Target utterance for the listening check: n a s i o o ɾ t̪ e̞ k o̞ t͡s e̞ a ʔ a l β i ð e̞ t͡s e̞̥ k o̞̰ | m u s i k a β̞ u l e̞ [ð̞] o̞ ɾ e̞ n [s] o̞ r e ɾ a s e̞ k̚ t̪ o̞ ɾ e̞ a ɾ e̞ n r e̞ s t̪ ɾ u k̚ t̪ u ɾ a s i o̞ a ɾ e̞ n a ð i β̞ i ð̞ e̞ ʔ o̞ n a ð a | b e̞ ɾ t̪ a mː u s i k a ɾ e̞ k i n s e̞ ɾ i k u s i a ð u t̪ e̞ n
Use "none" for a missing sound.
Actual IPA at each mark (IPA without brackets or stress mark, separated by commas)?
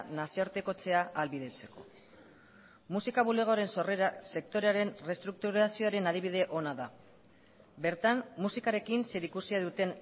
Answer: ɣ̞, s